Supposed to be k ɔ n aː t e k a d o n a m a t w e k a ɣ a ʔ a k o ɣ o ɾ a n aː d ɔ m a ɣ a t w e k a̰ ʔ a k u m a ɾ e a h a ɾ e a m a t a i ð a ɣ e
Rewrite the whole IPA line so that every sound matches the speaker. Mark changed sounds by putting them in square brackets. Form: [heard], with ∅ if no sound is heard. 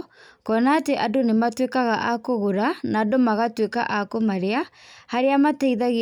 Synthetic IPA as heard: k ɔ n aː t e [ʔ] a d o n [e] m a t w e k a ɣ a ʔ a k o ɣ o ɾ a n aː d [o] m a ɣ a t w e k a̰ ʔ a k [o] m a ɾ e a h a ɾ e a m a t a i ð a ɣ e